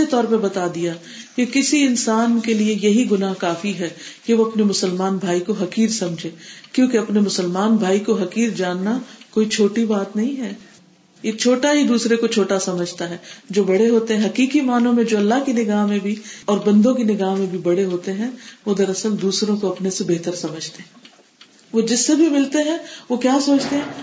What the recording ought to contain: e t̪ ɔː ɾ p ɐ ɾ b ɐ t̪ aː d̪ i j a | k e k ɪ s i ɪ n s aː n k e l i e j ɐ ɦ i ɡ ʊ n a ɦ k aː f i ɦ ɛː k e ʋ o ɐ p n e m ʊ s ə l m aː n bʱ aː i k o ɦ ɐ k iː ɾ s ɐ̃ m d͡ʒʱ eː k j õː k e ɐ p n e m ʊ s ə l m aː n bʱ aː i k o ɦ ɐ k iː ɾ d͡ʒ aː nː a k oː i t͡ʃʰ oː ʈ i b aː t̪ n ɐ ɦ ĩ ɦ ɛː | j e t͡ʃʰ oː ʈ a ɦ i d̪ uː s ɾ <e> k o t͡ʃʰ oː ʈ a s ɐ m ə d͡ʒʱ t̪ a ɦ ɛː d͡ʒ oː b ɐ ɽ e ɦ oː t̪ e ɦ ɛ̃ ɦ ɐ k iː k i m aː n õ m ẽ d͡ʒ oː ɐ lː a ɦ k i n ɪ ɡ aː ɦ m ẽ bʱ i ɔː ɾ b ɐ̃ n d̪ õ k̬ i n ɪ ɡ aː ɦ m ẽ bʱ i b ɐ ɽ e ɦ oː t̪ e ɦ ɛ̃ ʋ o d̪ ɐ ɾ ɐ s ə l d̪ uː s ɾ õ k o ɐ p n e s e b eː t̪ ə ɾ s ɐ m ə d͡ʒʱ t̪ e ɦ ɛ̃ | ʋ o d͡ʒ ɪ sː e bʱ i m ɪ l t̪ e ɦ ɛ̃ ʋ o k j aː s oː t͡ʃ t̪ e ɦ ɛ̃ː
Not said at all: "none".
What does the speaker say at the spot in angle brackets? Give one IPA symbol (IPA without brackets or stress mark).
e